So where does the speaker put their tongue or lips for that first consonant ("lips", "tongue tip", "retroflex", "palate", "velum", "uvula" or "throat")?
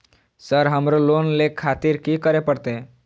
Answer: tongue tip